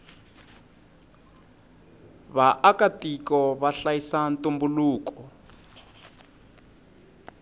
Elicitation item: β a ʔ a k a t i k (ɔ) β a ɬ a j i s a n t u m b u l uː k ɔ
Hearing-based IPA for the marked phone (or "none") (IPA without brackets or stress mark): ɔ